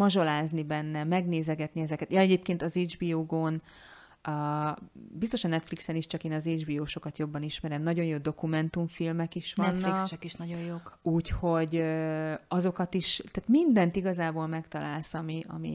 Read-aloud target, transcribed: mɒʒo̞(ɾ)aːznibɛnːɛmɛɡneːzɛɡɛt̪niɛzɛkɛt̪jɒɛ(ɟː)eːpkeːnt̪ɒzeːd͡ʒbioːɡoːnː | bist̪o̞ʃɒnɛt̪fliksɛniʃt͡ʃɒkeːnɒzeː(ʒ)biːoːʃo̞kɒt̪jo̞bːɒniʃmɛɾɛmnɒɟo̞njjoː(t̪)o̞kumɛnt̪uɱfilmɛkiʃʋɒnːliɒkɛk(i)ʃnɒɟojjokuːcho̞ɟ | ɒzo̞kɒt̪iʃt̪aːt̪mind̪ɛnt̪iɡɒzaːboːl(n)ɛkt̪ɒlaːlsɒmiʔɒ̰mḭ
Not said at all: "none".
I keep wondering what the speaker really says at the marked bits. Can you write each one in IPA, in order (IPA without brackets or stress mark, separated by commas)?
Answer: l, ɟ, d͡ʒ, d̪, i, m